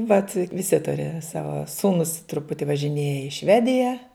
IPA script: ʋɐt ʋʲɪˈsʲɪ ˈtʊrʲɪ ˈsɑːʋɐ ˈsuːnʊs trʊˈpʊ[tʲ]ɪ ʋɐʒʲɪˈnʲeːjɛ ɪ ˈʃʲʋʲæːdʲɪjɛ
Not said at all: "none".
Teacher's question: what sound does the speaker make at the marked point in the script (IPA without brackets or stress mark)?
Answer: tʲ